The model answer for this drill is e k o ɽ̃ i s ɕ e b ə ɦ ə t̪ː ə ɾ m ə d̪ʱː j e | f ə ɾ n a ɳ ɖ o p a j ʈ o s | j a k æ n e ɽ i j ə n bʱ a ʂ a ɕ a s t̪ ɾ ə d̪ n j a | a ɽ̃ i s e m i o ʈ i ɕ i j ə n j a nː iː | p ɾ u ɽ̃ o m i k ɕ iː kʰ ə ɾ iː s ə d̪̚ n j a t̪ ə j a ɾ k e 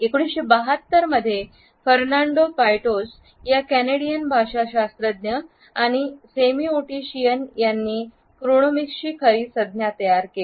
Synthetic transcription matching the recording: e k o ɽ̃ i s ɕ e b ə ɦ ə t̪ː ə ɾ m ə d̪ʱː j e | f ə ɾ n a ɳ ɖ o p a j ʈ o s | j a k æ n e ɽ i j ə n bʱ a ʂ a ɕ a s t̪ ɾ ə d̪ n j ə | a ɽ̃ i s e m i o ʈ i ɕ i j ə n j a nː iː | k ɾ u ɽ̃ o m i k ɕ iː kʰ ə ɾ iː s ə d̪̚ n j a t̪ ə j a ɾ k e